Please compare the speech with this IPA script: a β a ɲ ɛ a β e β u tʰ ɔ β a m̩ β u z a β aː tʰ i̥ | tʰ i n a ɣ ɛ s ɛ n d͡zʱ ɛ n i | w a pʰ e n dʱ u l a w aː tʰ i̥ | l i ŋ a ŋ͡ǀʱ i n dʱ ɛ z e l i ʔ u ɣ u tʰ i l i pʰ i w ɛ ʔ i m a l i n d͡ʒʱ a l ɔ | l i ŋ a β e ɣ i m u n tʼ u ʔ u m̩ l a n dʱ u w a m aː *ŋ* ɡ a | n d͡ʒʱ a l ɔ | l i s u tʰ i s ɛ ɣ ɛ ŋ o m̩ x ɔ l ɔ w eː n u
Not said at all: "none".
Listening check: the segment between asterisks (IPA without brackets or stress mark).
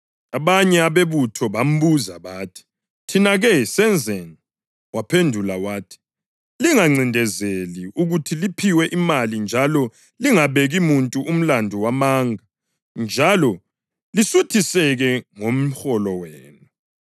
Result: ŋ